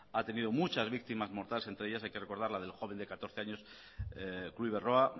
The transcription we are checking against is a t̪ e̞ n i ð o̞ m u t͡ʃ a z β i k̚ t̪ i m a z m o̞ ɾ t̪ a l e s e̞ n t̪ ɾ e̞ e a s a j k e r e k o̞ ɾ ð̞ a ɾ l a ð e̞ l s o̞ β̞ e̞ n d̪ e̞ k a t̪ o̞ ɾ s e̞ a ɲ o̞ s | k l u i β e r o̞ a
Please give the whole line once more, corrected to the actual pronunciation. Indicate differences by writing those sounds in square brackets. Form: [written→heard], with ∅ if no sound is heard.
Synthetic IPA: a t̪ e̞ n i ð o̞ m u t͡ʃ a z β i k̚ t̪ i m a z m o̞ ɾ t̪ a l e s e̞ n t̪ ɾ e̞ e a s a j k e r e k o̞ ɾ ð̞ a ɾ l a ð e̞ l [s→x] o̞ β̞ e̞ n d̪ e̞ k a t̪ o̞ ɾ [s→θ] e̞ a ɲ o̞ s | k l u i β e r o̞ a